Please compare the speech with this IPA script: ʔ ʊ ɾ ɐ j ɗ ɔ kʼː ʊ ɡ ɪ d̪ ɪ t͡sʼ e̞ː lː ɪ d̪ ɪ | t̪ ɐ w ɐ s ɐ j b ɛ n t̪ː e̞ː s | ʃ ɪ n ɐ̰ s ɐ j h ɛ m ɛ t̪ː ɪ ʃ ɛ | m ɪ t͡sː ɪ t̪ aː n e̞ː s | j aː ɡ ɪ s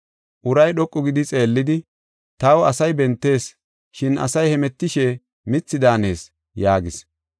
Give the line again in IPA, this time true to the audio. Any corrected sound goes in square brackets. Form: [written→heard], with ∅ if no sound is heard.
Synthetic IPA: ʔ ʊ ɾ ɐ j ɗ ɔ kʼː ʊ ɡ ɪ d̪ ɪ t͡sʼ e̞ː lː ɪ d̪ ɪ | t̪ ɐ w ɐ s ɐ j b ɛ n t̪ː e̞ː s | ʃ ɪ n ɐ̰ s ɐ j h ɛ m ɛ t̪ː ɪ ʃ ɛ | m ɪ t͡sː ɪ [t̪→d̪] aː n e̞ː s | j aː ɡ ɪ s

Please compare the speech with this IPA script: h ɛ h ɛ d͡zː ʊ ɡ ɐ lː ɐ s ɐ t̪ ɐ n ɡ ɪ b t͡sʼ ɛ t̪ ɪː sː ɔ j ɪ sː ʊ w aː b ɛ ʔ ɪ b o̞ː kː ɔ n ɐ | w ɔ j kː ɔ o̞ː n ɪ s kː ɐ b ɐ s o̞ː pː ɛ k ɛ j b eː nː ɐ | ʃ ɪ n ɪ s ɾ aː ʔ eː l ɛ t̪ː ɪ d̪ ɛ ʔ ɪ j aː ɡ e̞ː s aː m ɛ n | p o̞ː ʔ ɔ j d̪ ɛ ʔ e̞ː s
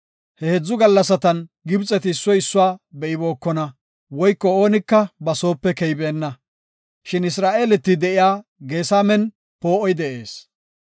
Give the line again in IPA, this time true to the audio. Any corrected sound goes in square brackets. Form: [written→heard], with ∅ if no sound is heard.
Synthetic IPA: h ɛ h ɛ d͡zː ʊ ɡ ɐ lː ɐ s ɐ t̪ ɐ n ɡ ɪ b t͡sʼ ɛ t̪ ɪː sː ɔ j ɪ sː ʊ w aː b ɛ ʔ ɪ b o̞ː kː ɔ n ɐ | w ɔ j kː ɔ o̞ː n ɪ [s→∅] kː ɐ b ɐ s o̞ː pː ɛ k ɛ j b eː nː ɐ | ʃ ɪ n ɪ s ɾ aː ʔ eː l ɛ t̪ː ɪ d̪ ɛ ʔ ɪ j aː ɡ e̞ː s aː m ɛ n | p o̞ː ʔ ɔ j d̪ ɛ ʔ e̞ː s

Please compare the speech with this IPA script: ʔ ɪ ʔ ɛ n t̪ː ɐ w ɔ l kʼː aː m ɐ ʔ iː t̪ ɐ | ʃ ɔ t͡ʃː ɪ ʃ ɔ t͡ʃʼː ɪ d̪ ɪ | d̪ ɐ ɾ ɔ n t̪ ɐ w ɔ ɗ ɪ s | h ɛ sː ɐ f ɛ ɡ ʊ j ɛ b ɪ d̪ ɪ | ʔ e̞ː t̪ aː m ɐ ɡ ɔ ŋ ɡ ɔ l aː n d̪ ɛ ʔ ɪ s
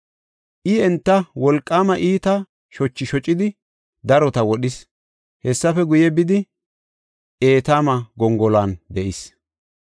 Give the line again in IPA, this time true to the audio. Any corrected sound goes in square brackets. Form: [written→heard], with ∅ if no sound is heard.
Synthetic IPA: ʔ ɪ [ʔ→∅] ɛ n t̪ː ɐ w ɔ l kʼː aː m ɐ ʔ iː t̪ ɐ | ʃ ɔ t͡ʃː ɪ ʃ ɔ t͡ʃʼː ɪ d̪ ɪ | d̪ ɐ ɾ ɔ [n→∅] t̪ ɐ w ɔ ɗ ɪ s | h ɛ sː ɐ f ɛ ɡ ʊ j ɛ b ɪ d̪ ɪ | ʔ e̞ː t̪ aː m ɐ ɡ ɔ ŋ ɡ ɔ l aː n d̪ ɛ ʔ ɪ s

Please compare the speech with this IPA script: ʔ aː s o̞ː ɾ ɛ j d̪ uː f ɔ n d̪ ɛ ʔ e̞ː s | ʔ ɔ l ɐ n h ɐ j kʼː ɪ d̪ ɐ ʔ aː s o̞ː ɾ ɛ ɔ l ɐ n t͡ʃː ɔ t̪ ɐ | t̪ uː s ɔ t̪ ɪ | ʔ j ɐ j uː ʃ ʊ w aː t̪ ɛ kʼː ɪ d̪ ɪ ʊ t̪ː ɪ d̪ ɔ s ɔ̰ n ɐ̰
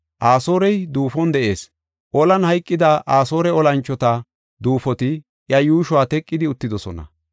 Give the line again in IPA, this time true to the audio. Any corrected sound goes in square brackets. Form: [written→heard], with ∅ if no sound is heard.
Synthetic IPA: ʔ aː s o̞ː ɾ ɛ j d̪ uː f ɔ n d̪ ɛ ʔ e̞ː s | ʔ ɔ l ɐ n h ɐ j kʼː ɪ d̪ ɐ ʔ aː s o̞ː ɾ ɛ ɔ l ɐ n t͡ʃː ɔ t̪ ɐ | [t̪→d̪] uː [s→f] ɔ t̪ ɪ | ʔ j ɐ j uː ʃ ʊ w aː t̪ ɛ kʼː ɪ d̪ ɪ ʊ t̪ː ɪ d̪ ɔ s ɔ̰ n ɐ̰

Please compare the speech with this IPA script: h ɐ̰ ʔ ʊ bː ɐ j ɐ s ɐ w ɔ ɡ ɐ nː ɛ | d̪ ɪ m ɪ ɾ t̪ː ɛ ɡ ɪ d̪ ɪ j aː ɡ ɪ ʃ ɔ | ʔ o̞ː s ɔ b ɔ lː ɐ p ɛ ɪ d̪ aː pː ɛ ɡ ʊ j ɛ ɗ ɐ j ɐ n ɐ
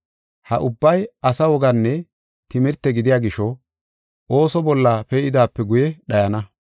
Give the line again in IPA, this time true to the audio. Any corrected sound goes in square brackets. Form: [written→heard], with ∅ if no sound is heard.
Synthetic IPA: h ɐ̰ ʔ ʊ bː ɐ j ɐ s ɐ w ɔ ɡ ɐ nː ɛ | [d̪→t̪] ɪ m ɪ ɾ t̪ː ɛ ɡ ɪ d̪ ɪ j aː ɡ ɪ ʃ ɔ | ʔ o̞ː s ɔ b ɔ lː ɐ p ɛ ɪ d̪ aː pː ɛ ɡ ʊ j ɛ ɗ ɐ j ɐ n ɐ

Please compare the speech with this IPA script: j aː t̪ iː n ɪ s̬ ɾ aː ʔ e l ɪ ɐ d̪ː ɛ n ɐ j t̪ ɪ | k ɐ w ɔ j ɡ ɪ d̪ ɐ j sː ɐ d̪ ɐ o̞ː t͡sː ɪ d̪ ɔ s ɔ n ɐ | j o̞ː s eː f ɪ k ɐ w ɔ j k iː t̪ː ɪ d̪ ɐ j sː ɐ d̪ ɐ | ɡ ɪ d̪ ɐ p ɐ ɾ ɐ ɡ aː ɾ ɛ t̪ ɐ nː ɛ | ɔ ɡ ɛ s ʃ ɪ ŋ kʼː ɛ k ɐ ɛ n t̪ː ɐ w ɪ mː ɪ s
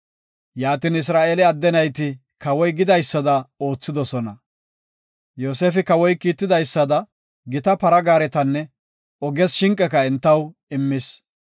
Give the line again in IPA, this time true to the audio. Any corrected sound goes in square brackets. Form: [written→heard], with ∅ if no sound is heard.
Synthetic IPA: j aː t̪ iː n ɪ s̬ ɾ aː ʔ e l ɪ ɐ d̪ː ɛ n ɐ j t̪ ɪ | k ɐ w ɔ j ɡ ɪ d̪ ɐ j sː ɐ d̪ ɐ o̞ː t͡sː ɪ d̪ ɔ s ɔ n ɐ | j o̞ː s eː f ɪ k ɐ w ɔ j k iː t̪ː ɪ d̪ ɐ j sː ɐ d̪ ɐ | ɡ ɪ [d̪→t̪] ɐ p ɐ ɾ ɐ ɡ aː ɾ ɛ t̪ ɐ nː ɛ | ɔ ɡ ɛ s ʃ ɪ ŋ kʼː ɛ k ɐ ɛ n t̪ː ɐ w ɪ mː ɪ s

